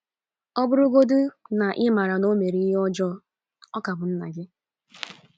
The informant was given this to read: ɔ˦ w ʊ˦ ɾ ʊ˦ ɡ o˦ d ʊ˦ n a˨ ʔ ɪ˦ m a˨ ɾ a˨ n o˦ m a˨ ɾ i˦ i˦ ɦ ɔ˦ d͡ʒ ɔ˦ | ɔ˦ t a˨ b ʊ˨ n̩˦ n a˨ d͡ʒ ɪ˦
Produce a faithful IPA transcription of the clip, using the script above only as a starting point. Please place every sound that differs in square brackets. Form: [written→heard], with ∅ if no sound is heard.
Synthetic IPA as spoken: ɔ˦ [w→b] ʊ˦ ɾ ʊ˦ ɡ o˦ d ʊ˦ n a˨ ʔ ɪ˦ m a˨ ɾ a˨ n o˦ m [a˨→e˨] ɾ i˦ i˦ ɦ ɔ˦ d͡ʒ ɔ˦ | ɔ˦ [t→k] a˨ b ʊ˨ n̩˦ n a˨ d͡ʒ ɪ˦